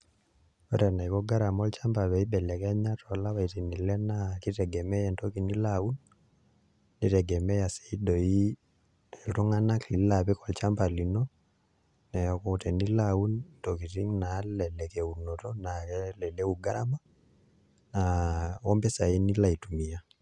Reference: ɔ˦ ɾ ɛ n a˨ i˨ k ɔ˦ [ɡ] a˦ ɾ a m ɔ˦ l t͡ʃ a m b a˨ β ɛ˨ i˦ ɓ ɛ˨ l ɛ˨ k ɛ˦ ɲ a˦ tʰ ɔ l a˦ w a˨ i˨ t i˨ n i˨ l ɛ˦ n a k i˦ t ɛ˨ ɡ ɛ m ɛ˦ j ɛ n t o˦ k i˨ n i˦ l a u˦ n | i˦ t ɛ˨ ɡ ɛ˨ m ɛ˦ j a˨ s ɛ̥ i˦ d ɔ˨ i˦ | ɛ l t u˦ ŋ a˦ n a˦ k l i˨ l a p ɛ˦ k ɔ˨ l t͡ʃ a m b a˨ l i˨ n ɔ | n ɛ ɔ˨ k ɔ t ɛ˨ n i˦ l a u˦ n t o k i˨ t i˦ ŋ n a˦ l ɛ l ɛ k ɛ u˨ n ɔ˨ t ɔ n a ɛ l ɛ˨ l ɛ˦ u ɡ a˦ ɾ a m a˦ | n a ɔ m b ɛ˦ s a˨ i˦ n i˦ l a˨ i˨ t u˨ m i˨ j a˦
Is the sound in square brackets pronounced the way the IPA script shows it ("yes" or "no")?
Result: yes